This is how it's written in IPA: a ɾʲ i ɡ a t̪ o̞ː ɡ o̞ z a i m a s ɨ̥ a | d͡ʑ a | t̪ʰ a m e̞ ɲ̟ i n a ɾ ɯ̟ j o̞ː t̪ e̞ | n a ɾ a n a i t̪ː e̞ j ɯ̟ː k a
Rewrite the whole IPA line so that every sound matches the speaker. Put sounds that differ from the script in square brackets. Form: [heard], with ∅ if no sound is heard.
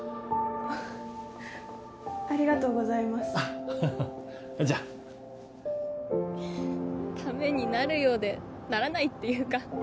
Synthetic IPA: a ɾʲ i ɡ a t̪ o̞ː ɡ o̞ z a i m a s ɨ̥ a | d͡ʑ a | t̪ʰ a m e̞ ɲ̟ i n a ɾ ɯ̟ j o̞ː [d̪] e̞ | n a ɾ a n a i t̪ː e̞ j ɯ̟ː k a